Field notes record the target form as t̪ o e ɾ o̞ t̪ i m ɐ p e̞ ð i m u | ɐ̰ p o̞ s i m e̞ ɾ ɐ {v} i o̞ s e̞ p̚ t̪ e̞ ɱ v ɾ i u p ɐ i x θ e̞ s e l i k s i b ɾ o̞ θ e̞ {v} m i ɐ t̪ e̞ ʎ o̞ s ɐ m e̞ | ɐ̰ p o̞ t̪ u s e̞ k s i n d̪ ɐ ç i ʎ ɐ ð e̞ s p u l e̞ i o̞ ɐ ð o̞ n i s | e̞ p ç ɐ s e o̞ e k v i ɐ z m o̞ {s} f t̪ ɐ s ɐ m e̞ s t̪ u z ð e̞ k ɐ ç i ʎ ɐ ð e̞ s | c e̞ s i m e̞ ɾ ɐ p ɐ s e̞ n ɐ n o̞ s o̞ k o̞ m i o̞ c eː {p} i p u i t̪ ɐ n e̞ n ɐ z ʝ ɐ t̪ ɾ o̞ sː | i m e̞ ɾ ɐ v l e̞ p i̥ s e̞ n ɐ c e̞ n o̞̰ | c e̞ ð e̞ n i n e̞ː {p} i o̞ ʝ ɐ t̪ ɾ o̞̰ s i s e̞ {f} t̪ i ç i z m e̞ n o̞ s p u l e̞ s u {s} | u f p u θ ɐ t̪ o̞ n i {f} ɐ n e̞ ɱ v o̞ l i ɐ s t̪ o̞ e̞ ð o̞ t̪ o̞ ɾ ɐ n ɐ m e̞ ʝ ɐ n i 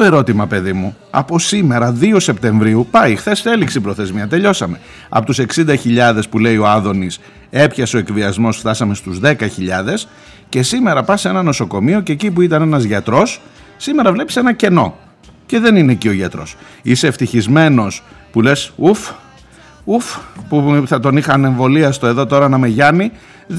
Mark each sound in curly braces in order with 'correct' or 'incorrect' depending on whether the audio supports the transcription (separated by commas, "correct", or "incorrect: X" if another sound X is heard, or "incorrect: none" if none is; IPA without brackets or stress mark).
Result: incorrect: ð, incorrect: z, correct, incorrect: c, incorrect: c, correct, incorrect: f, incorrect: x